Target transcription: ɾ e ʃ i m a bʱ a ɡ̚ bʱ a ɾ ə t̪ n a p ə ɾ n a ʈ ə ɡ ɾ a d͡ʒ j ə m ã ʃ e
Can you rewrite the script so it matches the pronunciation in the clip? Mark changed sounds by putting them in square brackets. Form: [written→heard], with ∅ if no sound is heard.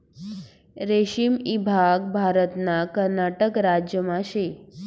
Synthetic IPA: ɾ e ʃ i m [a→i] bʱ a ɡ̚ bʱ a ɾ ə t̪ n a [p→k] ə ɾ n a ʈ ə [ɡ→k] ɾ a d͡ʒ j ə m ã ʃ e